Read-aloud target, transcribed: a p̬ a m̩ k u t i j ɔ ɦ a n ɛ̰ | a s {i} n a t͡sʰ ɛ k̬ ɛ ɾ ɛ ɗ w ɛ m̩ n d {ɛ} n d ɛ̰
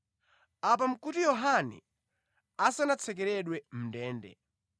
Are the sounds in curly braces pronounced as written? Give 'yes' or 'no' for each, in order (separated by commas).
no, no